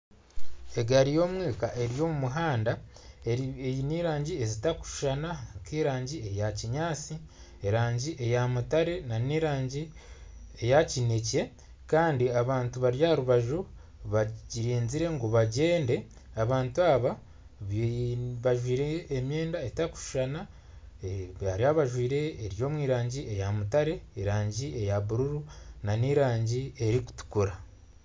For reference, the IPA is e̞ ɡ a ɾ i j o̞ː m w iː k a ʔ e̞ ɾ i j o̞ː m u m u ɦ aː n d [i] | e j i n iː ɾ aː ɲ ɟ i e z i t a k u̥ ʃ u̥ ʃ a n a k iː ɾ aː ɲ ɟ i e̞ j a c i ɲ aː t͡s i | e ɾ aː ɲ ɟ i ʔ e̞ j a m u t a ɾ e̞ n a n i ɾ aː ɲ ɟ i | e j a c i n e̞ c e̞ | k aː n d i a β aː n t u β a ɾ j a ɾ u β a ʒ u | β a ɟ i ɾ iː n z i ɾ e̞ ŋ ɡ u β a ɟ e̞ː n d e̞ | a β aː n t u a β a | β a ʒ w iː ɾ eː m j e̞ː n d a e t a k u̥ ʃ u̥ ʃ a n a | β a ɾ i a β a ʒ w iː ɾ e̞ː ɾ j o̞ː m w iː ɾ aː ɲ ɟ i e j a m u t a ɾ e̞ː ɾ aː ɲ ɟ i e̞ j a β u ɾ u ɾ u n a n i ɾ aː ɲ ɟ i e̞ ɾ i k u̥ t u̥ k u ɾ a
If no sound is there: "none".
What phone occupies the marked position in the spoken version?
a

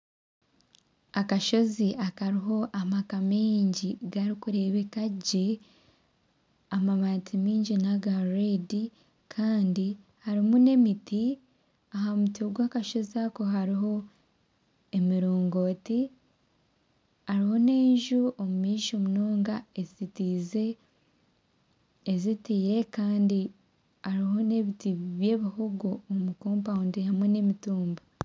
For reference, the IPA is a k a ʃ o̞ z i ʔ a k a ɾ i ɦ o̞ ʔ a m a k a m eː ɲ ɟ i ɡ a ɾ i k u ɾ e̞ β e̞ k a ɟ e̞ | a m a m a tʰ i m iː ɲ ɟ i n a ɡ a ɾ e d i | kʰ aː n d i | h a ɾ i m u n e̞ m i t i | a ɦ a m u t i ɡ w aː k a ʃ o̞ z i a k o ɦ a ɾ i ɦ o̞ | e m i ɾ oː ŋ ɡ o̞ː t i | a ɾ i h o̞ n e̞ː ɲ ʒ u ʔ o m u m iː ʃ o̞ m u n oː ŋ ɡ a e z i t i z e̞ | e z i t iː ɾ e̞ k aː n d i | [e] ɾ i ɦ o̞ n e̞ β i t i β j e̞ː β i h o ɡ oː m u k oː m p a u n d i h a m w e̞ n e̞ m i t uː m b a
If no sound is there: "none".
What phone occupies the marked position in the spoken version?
a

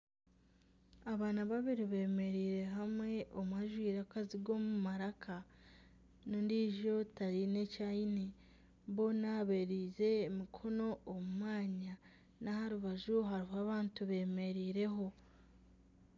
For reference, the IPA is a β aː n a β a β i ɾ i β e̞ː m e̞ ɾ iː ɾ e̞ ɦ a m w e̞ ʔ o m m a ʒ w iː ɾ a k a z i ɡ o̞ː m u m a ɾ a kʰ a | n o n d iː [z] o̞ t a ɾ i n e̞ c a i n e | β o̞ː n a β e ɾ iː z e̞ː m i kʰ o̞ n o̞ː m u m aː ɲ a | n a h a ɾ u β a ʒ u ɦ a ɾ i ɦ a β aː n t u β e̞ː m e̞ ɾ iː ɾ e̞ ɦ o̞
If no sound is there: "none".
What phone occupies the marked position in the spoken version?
ʒ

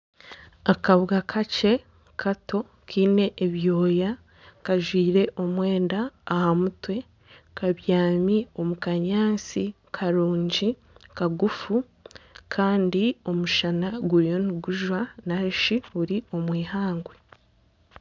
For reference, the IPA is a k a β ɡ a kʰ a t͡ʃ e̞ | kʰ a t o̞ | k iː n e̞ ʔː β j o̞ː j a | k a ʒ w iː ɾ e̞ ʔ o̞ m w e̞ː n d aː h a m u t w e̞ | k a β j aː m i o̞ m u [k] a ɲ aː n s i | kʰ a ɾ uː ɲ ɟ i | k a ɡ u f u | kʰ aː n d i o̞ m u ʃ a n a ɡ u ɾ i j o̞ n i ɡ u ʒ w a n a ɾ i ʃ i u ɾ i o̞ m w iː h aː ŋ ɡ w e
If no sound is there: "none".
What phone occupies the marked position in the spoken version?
k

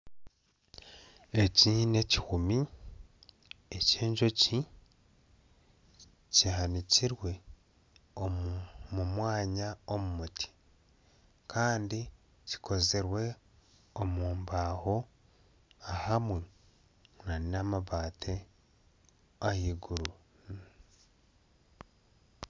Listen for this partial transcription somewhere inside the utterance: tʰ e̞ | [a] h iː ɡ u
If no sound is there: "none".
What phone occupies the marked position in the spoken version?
a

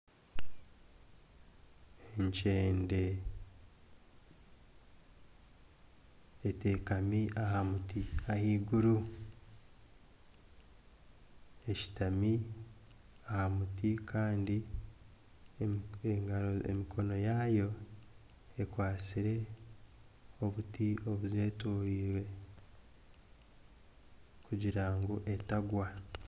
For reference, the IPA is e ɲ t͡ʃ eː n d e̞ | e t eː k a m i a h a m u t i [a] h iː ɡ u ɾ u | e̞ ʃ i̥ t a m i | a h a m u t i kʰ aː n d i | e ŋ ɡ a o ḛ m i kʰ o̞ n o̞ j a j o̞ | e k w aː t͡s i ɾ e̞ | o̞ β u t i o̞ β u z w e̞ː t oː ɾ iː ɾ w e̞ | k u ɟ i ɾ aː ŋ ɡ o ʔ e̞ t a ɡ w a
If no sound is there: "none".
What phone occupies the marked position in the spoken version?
a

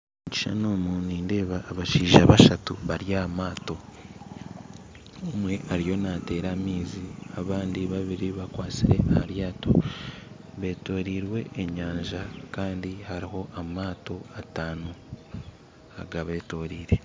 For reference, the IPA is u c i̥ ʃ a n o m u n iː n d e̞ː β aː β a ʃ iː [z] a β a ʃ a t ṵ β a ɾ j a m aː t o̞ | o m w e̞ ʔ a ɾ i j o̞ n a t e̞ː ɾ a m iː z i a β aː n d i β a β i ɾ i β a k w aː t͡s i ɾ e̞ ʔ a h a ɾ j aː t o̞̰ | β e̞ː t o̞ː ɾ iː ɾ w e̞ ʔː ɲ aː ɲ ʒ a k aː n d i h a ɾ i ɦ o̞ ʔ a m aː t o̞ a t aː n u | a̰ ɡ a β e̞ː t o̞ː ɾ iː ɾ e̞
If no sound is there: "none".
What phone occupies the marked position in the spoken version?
ʒ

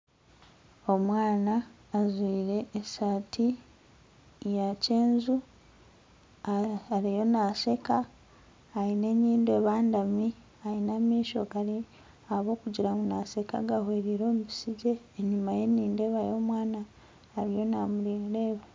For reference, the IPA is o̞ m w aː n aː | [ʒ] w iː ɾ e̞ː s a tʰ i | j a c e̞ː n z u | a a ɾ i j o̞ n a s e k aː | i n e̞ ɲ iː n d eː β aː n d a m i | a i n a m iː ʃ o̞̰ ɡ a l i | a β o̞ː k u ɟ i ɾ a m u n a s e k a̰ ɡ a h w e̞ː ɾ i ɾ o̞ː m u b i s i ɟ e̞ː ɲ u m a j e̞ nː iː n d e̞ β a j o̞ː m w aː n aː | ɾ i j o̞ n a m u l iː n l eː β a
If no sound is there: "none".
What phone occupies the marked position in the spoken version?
z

